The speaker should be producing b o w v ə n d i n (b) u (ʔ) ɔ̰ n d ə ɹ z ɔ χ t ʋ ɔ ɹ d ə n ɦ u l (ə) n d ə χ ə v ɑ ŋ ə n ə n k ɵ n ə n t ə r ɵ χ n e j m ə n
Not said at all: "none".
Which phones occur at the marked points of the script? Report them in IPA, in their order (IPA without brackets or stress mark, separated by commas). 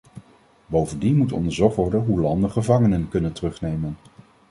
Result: m, t, ɑ